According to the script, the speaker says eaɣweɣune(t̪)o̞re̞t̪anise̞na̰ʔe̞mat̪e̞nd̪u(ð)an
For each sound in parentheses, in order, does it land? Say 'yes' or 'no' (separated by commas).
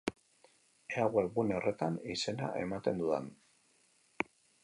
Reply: no, yes